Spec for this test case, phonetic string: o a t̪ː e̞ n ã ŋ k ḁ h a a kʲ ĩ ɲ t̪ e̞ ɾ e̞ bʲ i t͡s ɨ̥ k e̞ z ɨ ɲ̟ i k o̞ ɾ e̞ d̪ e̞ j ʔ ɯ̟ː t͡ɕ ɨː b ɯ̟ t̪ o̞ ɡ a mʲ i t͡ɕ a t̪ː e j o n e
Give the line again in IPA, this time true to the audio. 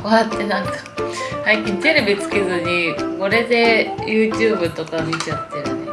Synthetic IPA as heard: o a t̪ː e̞ n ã ŋ k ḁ h a i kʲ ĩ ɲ t̪ e̞ ɾ e̞ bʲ i t͡s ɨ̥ k e̞ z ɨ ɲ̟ i k o̞ ɾ e̞ d̪ e̞ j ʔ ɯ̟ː t͡ɕ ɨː b ɯ̟ t̪ o̞ k a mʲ i t͡ɕ a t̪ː e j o n e